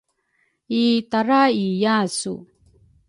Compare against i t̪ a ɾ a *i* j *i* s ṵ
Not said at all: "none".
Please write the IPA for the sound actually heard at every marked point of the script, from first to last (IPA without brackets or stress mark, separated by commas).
i, a